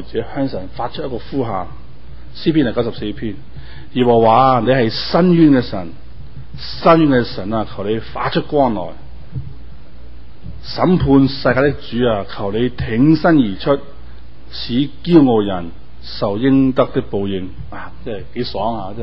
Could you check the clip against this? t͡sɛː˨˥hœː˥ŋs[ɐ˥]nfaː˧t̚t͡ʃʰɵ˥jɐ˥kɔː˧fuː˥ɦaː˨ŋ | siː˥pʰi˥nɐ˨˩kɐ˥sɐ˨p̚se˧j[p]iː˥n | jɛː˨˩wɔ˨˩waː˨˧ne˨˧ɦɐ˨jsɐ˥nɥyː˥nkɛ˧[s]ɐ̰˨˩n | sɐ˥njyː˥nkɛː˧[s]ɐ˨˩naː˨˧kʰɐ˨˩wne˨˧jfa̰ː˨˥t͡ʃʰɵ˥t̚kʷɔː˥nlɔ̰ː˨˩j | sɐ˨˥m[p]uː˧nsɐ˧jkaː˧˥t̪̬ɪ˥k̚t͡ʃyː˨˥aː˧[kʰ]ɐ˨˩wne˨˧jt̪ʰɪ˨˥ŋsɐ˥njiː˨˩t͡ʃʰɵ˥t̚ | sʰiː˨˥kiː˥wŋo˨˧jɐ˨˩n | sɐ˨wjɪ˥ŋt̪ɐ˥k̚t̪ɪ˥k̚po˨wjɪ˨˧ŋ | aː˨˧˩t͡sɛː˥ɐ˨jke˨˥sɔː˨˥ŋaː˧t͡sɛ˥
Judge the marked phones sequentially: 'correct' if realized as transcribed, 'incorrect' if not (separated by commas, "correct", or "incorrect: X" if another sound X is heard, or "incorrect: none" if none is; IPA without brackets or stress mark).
incorrect: ɐ˨˩, incorrect: pʰ, correct, correct, incorrect: pʰ, correct